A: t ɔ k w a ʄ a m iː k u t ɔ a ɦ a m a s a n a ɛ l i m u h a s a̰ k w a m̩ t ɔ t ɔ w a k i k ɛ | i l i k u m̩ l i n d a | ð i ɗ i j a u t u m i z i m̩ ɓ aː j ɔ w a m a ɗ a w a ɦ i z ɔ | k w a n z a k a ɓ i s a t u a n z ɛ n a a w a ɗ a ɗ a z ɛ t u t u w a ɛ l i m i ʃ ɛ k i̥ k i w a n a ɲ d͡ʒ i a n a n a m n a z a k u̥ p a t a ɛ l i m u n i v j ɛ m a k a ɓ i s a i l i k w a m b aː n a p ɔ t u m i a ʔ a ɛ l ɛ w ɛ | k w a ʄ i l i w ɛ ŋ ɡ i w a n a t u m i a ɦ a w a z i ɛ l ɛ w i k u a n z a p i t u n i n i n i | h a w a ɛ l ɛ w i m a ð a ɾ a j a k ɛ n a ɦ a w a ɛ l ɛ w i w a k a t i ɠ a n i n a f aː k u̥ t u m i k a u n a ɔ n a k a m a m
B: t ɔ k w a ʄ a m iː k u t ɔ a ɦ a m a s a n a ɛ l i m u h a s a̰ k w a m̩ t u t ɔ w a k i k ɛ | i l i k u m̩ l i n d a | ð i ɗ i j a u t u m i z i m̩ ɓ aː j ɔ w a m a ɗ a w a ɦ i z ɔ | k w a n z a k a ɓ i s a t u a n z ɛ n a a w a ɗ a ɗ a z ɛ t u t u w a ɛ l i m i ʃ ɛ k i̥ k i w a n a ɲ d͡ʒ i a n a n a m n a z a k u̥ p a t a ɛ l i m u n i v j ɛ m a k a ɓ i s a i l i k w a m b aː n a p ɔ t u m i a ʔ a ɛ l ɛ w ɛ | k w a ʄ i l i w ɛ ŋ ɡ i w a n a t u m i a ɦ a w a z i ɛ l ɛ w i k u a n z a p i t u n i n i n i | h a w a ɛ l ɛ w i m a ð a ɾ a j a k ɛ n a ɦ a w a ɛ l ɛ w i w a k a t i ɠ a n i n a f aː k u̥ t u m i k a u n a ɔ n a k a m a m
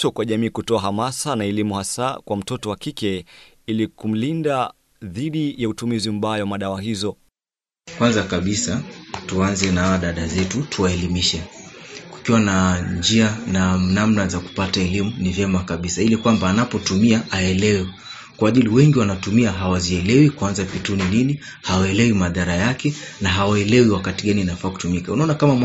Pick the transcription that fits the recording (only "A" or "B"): A